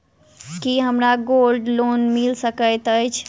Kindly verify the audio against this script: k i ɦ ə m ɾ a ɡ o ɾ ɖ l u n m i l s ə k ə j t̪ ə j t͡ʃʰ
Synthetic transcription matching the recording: k i ɦ ə m ɾ a ɡ o l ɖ l o n m i l s ə k ə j t̪ ə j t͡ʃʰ